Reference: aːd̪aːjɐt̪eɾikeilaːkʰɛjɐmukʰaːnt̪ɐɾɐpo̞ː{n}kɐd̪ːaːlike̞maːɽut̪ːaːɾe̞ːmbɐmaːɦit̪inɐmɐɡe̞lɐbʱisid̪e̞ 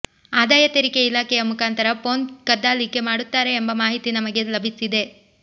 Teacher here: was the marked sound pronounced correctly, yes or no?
yes